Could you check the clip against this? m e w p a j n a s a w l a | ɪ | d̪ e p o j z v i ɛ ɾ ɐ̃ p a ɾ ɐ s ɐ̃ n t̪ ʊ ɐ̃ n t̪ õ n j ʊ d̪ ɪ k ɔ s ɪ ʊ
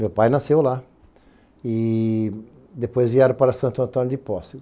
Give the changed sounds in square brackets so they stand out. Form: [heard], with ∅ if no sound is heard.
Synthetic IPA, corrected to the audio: m e w p a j n a s [e] w l a | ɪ | d̪ e p o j z v i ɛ ɾ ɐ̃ p a ɾ ɐ s ɐ̃ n t̪ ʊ ɐ̃ n t̪ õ n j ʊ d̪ ɪ [p] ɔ s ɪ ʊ